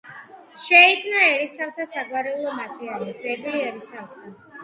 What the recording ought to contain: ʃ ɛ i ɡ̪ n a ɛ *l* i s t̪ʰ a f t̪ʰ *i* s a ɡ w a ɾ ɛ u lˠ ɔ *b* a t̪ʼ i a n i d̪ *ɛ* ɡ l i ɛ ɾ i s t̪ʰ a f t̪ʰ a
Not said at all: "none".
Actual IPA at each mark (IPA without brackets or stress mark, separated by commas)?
ɾ, a, m, ɛ